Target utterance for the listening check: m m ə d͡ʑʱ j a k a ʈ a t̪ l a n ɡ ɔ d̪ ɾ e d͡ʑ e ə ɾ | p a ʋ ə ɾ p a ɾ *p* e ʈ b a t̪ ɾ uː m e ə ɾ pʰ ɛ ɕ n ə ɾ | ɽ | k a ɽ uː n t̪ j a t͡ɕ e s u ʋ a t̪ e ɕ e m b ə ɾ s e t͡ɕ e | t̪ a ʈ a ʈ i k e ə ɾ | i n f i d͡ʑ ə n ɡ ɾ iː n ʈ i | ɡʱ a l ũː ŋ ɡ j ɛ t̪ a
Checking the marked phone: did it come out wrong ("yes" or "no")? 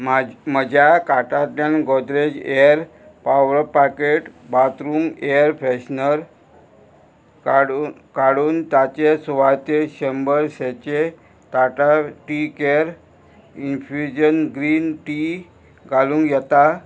yes